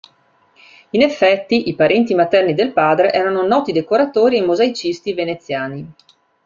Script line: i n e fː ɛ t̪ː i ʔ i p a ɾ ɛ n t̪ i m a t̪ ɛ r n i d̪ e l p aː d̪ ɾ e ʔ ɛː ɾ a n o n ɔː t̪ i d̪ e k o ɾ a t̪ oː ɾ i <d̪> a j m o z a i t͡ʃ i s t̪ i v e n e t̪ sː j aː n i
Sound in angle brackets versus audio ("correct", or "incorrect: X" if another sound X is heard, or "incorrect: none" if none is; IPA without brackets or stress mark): incorrect: none